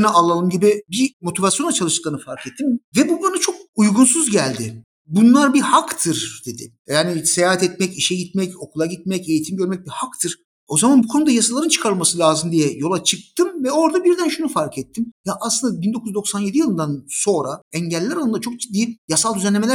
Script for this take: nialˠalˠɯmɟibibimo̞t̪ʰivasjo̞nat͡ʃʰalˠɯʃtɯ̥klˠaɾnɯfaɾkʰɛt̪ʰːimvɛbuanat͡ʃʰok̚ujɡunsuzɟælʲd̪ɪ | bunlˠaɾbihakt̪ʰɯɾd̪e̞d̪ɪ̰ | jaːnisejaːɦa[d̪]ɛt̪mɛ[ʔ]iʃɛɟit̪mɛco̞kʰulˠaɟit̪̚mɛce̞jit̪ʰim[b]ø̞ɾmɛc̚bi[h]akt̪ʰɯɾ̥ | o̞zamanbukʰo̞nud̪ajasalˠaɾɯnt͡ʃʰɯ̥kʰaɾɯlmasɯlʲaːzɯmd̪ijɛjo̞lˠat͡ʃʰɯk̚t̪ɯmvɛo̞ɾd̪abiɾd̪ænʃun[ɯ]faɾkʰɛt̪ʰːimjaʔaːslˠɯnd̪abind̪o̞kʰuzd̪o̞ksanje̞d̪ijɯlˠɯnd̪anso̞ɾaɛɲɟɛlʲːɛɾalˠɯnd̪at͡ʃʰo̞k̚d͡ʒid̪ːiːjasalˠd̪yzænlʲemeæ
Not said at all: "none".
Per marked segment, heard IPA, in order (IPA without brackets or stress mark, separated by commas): t̪, c, ɟ, h, u